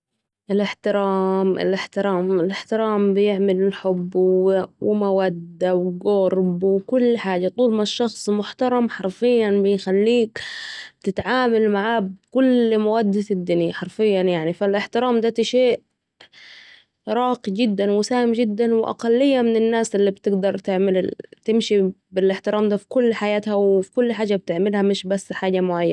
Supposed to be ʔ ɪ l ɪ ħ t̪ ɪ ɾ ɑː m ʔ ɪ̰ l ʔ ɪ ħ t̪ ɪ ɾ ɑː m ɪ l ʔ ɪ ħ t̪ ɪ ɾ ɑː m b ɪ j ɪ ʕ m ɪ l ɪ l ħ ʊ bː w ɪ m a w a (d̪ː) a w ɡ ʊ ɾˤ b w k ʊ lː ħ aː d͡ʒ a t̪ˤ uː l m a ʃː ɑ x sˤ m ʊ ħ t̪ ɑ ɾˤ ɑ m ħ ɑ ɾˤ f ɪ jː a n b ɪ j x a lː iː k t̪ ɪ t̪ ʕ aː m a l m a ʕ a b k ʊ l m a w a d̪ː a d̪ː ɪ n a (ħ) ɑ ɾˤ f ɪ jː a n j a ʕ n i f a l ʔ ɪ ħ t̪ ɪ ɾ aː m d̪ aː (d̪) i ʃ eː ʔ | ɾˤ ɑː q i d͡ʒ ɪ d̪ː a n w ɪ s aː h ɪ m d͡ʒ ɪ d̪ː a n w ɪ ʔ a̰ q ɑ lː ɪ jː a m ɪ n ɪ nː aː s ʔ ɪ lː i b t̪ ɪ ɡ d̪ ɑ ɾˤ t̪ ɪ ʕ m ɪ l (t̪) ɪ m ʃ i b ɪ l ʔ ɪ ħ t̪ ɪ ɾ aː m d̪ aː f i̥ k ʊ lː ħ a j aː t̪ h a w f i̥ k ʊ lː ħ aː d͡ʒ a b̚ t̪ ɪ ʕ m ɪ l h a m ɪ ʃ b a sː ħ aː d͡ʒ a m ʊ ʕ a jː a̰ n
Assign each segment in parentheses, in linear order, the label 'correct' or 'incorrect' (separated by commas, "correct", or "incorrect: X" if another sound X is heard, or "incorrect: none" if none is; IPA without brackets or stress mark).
correct, correct, incorrect: t̪, correct